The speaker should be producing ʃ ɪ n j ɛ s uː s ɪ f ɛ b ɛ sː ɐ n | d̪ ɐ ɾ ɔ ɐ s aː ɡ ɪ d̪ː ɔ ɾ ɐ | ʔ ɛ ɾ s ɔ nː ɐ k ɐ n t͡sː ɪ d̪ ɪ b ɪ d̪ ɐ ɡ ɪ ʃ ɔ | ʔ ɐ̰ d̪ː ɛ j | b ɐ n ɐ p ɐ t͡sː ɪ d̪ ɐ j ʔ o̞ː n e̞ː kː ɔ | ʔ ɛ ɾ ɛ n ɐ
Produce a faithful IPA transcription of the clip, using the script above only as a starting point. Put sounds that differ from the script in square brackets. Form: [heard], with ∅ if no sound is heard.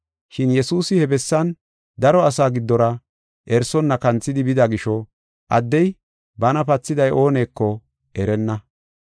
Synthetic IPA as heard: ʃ ɪ n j ɛ s uː s ɪ [h] ɛ b ɛ sː ɐ n | d̪ ɐ ɾ ɔ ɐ s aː ɡ ɪ d̪ː ɔ ɾ ɐ | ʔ ɛ ɾ s ɔ nː ɐ k ɐ n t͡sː ɪ d̪ ɪ b ɪ d̪ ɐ ɡ ɪ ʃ ɔ | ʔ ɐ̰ d̪ː ɛ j | b ɐ n ɐ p ɐ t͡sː ɪ d̪ ɐ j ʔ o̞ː n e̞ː kː ɔ | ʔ ɛ ɾ ɛ [nː] ɐ